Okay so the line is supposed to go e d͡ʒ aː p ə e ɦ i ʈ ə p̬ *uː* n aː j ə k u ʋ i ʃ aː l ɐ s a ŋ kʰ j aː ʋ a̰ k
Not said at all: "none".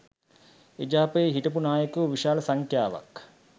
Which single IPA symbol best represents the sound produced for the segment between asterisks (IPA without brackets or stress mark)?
u